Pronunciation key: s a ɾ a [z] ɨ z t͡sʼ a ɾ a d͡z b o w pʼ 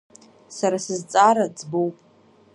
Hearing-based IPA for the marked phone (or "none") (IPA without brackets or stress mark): s